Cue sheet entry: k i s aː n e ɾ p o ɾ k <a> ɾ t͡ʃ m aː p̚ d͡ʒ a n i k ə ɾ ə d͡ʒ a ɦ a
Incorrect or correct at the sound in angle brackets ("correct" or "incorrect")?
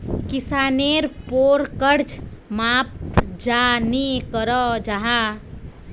incorrect